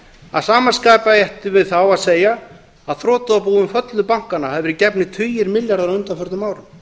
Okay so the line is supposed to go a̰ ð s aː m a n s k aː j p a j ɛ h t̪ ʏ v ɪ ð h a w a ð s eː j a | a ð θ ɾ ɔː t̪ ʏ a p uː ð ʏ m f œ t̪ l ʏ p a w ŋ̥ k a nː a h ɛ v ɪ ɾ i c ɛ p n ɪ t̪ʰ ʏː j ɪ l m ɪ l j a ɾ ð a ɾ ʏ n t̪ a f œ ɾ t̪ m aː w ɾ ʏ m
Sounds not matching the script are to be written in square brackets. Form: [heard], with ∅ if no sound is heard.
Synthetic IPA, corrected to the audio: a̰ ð s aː m a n s k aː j p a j ɛ h t̪ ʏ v ɪ ð [θ] a w a ð s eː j a | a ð θ ɾ ɔː t̪ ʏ a p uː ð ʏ m f œ t̪ l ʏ p a w ŋ̥ k a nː a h ɛ v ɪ ɾ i c ɛ p n ɪ t̪ʰ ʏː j ɪ [ɾ] m ɪ l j a ɾ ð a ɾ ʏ n t̪ a f œ ɾ t̪ m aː w ɾ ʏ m